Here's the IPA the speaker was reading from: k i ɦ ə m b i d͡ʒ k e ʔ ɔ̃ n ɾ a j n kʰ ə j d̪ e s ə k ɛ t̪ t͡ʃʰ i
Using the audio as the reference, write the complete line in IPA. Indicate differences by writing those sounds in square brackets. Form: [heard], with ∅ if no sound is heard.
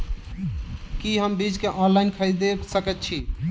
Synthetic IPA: k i ɦ ə m b i d͡ʒ k e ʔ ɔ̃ n [l] a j n kʰ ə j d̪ e s ə k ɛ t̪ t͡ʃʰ i